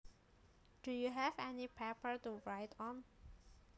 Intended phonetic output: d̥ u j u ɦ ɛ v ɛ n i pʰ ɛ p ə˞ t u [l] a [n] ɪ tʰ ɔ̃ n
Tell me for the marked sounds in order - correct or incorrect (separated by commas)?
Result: incorrect, incorrect